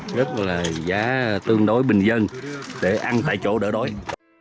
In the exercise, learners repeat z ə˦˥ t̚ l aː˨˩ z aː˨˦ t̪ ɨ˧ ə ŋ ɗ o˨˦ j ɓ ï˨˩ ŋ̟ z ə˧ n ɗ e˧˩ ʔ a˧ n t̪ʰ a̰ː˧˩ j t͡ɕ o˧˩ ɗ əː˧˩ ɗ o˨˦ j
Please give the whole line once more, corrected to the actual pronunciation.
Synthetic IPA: z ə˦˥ t̚ l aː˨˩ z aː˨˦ t̪ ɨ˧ ə ŋ ɗ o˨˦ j ɓ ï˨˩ ŋ̟ z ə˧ n ɗ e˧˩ ʔ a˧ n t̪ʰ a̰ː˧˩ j t͡ɕ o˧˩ ɗ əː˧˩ ɗ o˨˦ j